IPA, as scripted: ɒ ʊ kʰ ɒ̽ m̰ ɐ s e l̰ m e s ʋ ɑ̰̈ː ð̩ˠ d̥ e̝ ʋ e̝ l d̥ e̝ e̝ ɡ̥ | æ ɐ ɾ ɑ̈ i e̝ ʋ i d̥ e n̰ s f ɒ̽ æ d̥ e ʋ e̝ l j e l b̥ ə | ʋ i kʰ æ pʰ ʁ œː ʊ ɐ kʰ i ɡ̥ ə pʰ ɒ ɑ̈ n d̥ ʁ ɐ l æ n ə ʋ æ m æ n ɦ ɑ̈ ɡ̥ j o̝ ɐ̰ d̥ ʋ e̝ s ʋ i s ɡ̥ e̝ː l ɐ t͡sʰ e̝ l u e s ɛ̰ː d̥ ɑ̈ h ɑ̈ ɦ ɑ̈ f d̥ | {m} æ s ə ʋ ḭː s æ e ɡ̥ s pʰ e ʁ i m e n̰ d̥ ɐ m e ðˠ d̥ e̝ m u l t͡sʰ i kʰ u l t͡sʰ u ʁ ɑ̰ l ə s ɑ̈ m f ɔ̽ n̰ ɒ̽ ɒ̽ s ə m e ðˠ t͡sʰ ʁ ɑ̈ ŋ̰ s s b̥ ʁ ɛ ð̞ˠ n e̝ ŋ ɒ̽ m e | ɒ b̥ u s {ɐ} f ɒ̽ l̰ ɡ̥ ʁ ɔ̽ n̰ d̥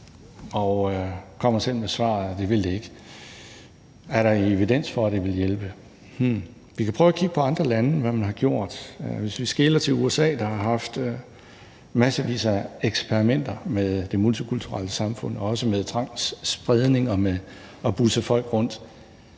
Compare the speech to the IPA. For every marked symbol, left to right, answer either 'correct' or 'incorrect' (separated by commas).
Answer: correct, incorrect